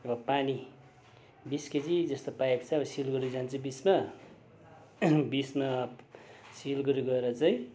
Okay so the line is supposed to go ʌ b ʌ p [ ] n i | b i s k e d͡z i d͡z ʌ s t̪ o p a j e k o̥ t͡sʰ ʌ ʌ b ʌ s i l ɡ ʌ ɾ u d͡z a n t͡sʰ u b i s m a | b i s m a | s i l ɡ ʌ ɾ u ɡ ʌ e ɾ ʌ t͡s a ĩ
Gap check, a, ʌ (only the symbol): a